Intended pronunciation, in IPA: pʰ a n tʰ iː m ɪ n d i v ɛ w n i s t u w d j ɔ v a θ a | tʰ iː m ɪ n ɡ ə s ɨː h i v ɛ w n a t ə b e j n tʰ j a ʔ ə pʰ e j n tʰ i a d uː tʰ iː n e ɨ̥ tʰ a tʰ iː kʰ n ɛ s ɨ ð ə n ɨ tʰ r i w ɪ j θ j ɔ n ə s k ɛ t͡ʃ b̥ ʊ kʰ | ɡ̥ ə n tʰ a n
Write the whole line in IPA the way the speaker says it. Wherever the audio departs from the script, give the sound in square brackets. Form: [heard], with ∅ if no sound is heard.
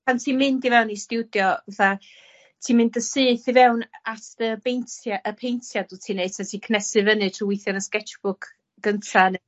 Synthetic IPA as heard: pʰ a n tʰ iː m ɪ n d i v ɛ w n i s t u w d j ɔ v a θ a | tʰ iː m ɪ n [d] ə s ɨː [θ] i v ɛ w n a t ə b e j n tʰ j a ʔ ə pʰ e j n tʰ [j] a d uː tʰ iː n e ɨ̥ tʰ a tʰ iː kʰ n ɛ s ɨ [v] ə n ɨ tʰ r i w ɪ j θ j ɔ n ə s k ɛ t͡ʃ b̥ ʊ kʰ | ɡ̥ ə n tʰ a n